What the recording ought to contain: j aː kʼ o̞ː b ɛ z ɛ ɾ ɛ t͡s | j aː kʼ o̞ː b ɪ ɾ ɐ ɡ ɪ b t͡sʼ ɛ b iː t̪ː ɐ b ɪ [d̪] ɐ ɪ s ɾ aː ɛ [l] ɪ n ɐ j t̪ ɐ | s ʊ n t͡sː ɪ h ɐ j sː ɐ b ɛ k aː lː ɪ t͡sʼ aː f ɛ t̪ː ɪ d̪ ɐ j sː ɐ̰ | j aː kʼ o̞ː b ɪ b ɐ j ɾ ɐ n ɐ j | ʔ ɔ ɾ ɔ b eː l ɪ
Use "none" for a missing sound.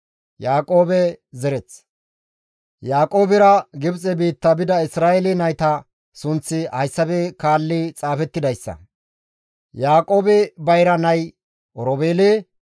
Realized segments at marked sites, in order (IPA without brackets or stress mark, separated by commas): d̪, l